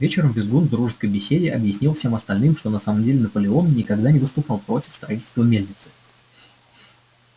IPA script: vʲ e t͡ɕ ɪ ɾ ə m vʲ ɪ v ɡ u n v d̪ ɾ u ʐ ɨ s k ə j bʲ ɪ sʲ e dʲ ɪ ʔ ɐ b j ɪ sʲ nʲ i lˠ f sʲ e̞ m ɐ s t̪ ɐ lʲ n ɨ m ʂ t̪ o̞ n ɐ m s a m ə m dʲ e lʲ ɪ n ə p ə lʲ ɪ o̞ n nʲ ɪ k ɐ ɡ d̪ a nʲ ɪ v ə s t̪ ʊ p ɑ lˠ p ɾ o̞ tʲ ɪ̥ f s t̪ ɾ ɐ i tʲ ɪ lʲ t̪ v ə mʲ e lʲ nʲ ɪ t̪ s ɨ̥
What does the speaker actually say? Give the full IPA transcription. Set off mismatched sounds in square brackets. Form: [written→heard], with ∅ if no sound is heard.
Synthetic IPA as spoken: vʲ e t͡ɕ ɪ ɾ ə m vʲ ɪ [v→z] ɡ u n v d̪ ɾ u ʐ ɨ s k ə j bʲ ɪ sʲ e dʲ ɪ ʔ ɐ b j ɪ sʲ nʲ i lˠ f sʲ e̞ m ɐ s t̪ ɐ lʲ n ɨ m ʂ t̪ o̞ n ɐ [m→∅] s a m ə m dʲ e lʲ ɪ n ə p ə lʲ ɪ o̞ n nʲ ɪ k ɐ ɡ d̪ a nʲ ɪ v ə s t̪ ʊ p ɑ lˠ p ɾ o̞ tʲ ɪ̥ f s t̪ ɾ ɐ i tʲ ɪ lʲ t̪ v ə mʲ e lʲ nʲ ɪ t̪ s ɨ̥